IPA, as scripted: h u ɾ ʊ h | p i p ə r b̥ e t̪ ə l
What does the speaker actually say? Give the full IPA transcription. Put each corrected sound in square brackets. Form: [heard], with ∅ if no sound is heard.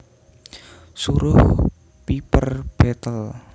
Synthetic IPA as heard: [s] u ɾ ʊ h | p i p ə r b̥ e t̪ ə l